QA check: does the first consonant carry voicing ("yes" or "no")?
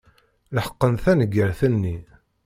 yes